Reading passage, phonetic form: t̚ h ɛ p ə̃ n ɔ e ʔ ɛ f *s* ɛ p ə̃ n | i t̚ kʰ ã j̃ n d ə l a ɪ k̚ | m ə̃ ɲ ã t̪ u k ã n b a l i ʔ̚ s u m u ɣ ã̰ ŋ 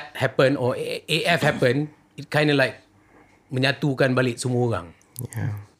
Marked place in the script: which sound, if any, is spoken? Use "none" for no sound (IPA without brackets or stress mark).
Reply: h